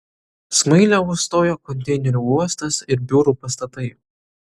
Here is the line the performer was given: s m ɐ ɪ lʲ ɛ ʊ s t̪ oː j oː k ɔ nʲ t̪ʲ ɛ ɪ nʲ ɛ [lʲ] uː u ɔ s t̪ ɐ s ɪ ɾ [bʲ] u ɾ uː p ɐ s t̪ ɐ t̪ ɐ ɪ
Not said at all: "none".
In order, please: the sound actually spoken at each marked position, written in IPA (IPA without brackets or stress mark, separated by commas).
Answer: ɾʲ, bʲ